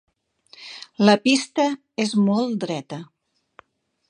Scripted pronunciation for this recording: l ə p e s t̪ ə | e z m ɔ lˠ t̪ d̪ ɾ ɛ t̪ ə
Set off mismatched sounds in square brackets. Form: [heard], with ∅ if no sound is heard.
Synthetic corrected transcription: l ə p [i] s t̪ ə | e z m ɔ lˠ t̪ d̪ ɾ ɛ t̪ ə

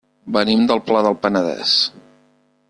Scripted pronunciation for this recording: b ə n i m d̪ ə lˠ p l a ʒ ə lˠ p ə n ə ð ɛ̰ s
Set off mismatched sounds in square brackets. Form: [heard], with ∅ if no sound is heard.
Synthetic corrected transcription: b ə n i m d̪ ə lˠ p l a [ð] ə lˠ p ə n ə ð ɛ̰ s

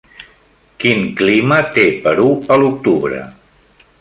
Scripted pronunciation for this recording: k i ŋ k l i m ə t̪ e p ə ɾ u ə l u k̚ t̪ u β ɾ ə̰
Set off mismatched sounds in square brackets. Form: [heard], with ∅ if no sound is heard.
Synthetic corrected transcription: k i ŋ k l i m ə t̪ e p ə ɾ u ə l u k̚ t̪ u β ɾ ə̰

